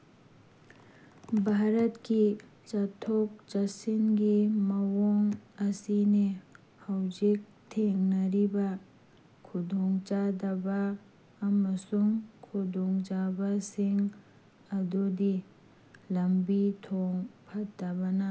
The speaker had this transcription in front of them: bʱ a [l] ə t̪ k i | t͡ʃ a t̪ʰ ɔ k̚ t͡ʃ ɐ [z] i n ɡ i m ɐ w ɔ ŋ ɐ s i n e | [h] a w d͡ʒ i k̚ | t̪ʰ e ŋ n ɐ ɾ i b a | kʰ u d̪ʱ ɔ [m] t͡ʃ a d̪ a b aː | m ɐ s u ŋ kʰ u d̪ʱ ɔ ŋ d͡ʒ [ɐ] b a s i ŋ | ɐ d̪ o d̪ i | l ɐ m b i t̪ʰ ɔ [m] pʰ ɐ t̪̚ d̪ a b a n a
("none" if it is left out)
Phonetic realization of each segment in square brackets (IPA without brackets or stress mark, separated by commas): ɾ, s, h, ŋ, a, ŋ